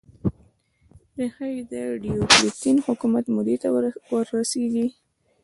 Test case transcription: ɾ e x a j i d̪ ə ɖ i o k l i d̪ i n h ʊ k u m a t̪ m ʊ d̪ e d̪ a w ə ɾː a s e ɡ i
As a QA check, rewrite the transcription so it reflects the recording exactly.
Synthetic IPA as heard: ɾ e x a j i d̪ ə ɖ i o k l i t̪ i n h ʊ k u m a t̪ m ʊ d̪ e t̪ a w ə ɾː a s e ɡ i